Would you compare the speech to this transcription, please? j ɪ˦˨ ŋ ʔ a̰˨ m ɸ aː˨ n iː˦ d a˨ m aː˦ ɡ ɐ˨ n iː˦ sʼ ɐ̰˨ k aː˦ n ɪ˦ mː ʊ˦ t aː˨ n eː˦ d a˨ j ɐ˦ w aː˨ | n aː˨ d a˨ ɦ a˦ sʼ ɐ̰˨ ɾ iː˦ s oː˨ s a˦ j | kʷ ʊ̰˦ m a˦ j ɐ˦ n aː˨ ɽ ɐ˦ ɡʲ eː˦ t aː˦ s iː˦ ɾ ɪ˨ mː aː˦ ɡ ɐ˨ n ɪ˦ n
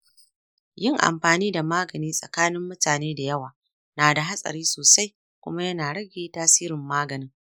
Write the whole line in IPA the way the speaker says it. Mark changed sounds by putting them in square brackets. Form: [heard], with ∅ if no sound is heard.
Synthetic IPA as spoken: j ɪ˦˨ ŋ ʔ a̰˨ m ɸ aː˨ n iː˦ d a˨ m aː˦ ɡ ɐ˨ n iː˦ sʼ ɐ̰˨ k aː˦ n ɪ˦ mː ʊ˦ t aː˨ n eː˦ d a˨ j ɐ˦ w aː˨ | n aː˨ d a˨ ɦ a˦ sʼ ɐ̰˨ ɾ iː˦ s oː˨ s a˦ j | kʷ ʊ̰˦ m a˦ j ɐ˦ n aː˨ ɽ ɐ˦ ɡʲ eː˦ t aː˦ s iː˦ ɾ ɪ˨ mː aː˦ ɡ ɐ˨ n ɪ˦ [ŋ]